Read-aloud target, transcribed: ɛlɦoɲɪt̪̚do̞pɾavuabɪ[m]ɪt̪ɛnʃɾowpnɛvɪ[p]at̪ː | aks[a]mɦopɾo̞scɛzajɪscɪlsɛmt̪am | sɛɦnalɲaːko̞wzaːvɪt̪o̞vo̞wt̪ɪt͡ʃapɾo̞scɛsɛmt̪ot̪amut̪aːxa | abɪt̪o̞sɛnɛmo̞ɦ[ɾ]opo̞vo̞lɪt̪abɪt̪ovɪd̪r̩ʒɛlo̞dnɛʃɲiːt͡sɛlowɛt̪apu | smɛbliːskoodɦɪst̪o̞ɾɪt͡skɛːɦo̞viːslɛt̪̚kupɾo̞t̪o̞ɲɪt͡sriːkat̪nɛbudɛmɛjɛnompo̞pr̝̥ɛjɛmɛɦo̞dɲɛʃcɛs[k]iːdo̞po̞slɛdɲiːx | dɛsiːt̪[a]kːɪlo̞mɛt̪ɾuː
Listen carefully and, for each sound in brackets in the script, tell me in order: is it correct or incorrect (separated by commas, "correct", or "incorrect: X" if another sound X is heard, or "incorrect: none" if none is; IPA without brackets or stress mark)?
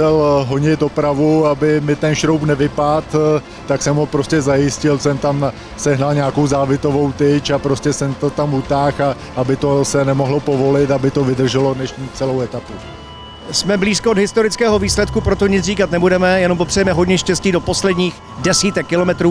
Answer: correct, correct, incorrect: ɛ, incorrect: l, incorrect: c, incorrect: ɛ